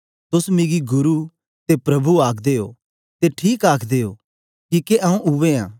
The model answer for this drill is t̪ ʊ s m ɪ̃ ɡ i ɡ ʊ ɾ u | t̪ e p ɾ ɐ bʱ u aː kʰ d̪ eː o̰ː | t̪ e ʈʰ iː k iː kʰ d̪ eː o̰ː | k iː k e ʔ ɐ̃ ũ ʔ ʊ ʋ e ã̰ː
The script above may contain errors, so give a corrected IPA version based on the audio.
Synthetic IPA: t̪ ʊ s m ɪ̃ ɡ i ɡ ʊ ɾ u | t̪ e p ɾ ɐ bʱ u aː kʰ d̪ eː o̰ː | t̪ e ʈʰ iː k aː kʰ d̪ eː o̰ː | k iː k e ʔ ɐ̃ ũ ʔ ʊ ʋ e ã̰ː